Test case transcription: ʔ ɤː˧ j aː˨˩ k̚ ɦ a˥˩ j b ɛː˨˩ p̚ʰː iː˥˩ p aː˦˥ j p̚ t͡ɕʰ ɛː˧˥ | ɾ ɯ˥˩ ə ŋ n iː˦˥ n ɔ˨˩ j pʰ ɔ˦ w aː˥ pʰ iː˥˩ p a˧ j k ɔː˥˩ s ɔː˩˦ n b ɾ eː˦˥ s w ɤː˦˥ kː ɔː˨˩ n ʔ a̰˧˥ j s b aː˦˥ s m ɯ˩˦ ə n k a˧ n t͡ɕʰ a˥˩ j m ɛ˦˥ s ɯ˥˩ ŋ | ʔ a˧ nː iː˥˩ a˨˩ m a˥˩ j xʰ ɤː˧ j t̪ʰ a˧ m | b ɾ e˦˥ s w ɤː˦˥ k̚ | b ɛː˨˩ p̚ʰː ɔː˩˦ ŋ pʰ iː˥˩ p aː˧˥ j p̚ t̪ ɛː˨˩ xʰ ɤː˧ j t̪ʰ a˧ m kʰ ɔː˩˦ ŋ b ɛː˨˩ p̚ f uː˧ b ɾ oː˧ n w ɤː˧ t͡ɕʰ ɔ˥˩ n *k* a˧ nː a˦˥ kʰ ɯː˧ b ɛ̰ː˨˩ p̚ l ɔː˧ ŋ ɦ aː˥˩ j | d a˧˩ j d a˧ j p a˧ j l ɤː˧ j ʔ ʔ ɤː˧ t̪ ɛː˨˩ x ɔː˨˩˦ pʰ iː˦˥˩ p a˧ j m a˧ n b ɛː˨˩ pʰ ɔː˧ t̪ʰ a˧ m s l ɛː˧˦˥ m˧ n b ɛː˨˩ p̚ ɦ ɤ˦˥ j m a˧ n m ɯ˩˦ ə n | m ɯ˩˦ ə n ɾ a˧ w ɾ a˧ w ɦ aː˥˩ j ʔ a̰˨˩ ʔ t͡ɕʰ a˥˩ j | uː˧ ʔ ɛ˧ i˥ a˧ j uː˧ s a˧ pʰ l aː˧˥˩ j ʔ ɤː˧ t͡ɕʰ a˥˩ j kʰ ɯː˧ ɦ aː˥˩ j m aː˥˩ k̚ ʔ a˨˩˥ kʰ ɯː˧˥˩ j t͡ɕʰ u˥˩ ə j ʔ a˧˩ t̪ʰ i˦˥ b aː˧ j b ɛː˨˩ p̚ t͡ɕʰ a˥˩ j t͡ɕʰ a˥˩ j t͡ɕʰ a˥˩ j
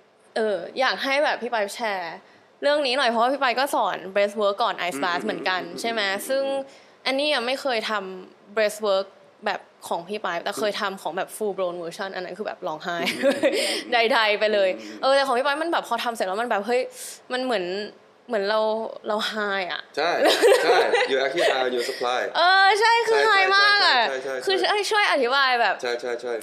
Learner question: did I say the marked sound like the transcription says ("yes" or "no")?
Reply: no